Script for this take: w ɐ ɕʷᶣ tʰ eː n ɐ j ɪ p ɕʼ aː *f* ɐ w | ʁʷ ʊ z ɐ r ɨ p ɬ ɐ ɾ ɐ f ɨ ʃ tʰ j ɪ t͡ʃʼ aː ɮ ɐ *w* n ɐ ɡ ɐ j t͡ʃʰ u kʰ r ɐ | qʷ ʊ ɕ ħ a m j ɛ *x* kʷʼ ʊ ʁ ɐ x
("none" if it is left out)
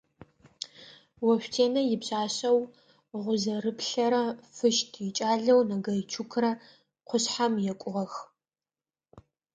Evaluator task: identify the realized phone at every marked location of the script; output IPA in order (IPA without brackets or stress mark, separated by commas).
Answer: ɕ, w, none